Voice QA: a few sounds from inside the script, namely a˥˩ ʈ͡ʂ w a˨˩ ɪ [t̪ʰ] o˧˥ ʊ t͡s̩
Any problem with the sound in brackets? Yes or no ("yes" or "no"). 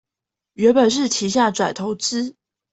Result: no